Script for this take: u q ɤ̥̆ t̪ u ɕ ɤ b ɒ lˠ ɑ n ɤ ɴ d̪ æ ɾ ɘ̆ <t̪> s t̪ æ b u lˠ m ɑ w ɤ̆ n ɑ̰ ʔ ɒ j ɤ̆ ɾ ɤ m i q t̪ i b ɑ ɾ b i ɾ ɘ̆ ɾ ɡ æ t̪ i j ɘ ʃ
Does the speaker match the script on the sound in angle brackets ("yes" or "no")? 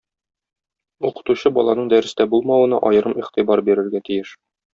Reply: no